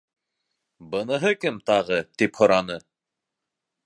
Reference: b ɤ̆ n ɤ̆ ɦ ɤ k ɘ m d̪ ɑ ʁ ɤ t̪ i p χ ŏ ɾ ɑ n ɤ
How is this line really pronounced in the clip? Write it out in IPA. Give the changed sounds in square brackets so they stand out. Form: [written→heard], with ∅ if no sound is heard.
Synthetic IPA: b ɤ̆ n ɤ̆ ɦ ɤ k ɘ m [d̪→t̪] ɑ ʁ ɤ t̪ i p [χ→h] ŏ ɾ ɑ n ɤ

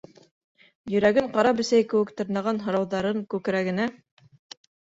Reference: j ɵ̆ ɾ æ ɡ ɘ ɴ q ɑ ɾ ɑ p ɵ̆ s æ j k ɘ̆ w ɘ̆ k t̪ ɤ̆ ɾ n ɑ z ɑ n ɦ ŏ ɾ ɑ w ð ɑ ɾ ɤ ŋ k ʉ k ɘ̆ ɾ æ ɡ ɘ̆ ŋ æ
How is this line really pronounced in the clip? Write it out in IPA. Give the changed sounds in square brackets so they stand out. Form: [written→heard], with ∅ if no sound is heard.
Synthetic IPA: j ɵ̆ ɾ æ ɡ ɘ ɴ q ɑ ɾ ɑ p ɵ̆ s æ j k ɘ̆ w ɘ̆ k t̪ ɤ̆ ɾ n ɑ [z→ʁ] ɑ n ɦ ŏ ɾ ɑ w ð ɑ ɾ ɤ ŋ k ʉ k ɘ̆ ɾ æ ɡ ɘ̆ [ŋ→n] æ

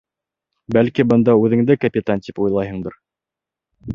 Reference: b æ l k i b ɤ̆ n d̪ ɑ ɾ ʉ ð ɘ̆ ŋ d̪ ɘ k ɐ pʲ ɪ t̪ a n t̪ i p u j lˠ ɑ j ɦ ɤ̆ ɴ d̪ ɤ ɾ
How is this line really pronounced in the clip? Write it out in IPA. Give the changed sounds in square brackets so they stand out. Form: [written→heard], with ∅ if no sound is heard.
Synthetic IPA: b æ l k i b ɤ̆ n d̪ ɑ [ɾ→∅] ʉ ð ɘ̆ ŋ d̪ ɘ k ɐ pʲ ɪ t̪ a n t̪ i p u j lˠ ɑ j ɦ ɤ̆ ɴ d̪ ɤ ɾ

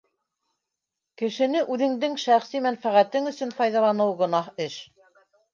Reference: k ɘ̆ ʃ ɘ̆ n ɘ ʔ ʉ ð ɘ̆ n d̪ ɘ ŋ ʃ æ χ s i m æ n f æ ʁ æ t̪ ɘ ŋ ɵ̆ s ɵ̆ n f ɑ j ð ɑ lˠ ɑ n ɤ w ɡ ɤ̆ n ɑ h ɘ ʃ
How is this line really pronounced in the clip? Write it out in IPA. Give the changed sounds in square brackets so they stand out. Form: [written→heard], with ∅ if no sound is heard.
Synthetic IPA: k ɘ̆ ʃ ɘ̆ n ɘ ʔ ʉ ð ɘ̆ [n→ŋ] d̪ ɘ ŋ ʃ æ χ s i m æ n f æ ʁ æ t̪ ɘ ŋ ɵ̆ s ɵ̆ n f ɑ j ð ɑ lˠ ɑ n ɤ w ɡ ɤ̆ n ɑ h ɘ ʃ

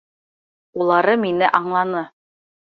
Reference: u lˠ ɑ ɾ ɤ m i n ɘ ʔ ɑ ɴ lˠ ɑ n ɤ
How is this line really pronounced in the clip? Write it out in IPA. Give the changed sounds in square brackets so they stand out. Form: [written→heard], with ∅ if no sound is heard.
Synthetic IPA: u lˠ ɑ ɾ ɤ m i n ɘ ʔ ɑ ɴ lˠ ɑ n ɤ

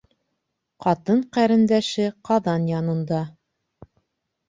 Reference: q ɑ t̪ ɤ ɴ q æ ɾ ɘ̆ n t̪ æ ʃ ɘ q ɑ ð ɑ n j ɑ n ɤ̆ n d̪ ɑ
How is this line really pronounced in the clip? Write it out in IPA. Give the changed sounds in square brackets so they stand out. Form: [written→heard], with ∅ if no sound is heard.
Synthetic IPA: q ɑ t̪ ɤ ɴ q æ ɾ ɘ̆ n [t̪→d̪] æ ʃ ɘ q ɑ ð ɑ n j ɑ n ɤ̆ n d̪ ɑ

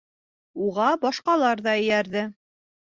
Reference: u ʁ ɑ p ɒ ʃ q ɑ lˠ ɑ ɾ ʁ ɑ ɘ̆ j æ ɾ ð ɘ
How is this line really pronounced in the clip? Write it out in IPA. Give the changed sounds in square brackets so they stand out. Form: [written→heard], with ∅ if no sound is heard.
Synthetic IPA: u ʁ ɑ [p→b] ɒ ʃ q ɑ lˠ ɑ ɾ [ʁ→ð] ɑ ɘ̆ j æ ɾ ð ɘ

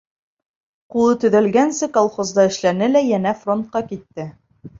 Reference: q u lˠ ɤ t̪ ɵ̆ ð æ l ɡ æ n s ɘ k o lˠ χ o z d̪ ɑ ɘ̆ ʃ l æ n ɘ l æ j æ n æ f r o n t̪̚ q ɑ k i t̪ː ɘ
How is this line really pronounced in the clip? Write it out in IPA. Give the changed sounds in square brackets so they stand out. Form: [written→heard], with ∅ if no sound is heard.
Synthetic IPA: q u lˠ ɤ t̪ ɵ̆ ð æ l ɡ æ n s ɘ k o lˠ χ o z d̪ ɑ ɘ̆ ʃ l æ n ɘ l æ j æ n æ f r o n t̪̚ q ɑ k i t̪ː ɘ

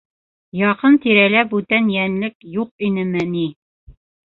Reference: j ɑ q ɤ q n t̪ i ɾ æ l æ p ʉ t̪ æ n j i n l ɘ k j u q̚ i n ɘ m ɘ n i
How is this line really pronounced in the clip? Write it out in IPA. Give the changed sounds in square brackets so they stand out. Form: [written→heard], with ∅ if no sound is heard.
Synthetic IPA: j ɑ q ɤ [q→∅] n t̪ i ɾ æ l æ [p→b] ʉ t̪ æ n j [i→æ] n l ɘ k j u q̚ i n ɘ m ɘ n i

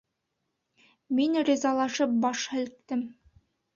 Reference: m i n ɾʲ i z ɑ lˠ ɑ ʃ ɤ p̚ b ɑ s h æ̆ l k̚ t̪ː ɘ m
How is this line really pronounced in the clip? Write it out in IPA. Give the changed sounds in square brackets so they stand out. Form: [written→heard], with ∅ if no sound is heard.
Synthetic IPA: m i n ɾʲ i z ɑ lˠ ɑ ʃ ɤ p̚ b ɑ [s→ʃ] h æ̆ l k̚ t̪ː ɘ m

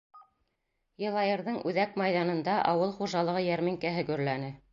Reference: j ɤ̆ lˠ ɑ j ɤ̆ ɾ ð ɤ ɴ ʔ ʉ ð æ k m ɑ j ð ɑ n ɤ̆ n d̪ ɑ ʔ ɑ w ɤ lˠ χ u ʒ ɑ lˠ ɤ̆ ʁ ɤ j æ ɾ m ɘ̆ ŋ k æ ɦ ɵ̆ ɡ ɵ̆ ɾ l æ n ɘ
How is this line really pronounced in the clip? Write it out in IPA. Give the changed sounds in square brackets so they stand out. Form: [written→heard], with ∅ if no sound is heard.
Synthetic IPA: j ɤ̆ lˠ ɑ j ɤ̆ ɾ ð ɤ ɴ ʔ ʉ ð æ k m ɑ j ð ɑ n ɤ̆ n d̪ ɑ ʔ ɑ w ɤ lˠ χ u ʒ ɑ lˠ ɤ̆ ʁ ɤ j æ ɾ m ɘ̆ ŋ k æ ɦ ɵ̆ ɡ ɵ̆ ɾ l æ n ɘ

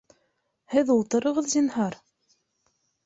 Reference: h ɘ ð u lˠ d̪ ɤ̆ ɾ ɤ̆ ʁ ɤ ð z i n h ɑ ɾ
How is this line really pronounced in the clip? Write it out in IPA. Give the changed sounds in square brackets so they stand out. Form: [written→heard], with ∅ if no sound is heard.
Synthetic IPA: h ɘ ð u lˠ [d̪→t̪] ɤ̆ ɾ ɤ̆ ʁ ɤ ð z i n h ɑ ɾ

